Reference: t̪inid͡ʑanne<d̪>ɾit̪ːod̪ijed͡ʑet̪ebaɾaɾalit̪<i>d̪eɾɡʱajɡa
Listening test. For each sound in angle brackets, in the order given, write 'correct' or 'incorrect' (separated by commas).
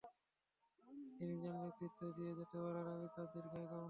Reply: incorrect, incorrect